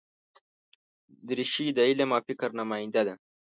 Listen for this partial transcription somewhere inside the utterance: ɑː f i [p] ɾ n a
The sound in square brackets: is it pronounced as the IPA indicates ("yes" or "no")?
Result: no